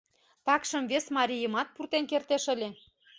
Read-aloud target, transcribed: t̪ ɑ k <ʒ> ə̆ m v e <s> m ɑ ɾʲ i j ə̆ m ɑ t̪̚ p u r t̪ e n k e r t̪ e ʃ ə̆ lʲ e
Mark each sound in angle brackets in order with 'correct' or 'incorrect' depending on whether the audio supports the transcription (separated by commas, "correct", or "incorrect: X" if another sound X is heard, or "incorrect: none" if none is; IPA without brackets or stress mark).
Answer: incorrect: ʃ, correct